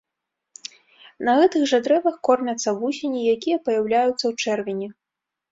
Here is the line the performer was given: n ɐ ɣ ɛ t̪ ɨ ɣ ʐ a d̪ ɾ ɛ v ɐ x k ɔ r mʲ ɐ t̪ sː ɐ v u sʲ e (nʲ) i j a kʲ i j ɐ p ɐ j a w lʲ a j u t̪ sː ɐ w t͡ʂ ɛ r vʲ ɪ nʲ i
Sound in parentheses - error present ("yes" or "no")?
no